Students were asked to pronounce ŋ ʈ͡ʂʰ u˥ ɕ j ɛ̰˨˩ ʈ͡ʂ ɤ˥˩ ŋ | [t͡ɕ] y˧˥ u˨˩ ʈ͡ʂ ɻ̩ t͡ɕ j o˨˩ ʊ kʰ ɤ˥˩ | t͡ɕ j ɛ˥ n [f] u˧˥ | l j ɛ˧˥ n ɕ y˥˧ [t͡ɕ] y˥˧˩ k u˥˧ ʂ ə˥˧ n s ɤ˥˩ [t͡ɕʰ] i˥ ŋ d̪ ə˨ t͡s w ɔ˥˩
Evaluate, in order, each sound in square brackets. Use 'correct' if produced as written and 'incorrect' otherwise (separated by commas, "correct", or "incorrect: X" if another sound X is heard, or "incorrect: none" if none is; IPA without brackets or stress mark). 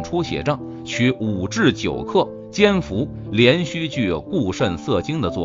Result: incorrect: t͡ɕʰ, correct, correct, incorrect: t͡ɕ